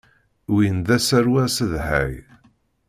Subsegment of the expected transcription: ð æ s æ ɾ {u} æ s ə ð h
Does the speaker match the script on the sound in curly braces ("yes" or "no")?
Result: no